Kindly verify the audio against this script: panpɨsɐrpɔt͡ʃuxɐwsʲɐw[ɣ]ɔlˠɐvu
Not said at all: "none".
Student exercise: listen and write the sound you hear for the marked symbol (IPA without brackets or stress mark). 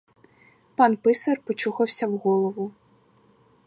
ɣ